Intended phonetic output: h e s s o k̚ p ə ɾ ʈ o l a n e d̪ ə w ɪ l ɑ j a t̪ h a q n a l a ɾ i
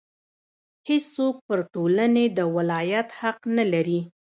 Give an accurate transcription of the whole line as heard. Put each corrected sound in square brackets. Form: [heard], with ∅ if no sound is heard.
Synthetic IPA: h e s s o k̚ p ə ɾ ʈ o l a n e d̪ ə w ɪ l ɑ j a t̪ h a q n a l a ɾ i